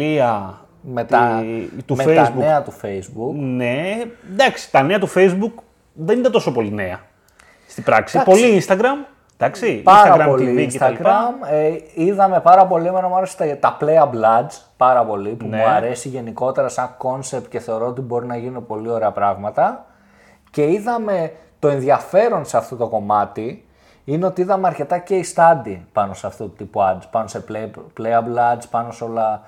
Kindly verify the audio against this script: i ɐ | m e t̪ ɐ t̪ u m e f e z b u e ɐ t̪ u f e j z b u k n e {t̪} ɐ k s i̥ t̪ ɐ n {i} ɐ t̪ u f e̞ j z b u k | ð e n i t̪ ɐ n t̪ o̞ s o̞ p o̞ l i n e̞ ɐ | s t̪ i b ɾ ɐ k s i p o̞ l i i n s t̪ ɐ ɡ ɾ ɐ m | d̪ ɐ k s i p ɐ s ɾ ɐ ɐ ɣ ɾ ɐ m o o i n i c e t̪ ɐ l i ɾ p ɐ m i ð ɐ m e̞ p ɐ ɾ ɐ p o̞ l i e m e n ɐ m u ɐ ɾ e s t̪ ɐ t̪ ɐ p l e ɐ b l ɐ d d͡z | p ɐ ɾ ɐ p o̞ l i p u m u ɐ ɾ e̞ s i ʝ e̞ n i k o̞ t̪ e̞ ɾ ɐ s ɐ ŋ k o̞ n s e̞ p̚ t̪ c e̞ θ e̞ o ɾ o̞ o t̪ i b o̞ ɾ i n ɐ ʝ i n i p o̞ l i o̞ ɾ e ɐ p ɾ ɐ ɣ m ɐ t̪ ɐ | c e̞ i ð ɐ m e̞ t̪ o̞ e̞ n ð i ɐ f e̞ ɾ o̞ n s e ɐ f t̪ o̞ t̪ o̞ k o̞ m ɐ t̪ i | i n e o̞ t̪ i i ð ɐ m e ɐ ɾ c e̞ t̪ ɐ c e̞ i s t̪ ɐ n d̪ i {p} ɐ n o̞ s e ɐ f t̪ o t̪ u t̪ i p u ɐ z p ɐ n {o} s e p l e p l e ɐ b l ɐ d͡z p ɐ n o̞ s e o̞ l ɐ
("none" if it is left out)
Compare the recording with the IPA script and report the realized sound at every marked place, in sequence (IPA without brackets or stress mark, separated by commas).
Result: d̪, e, p, o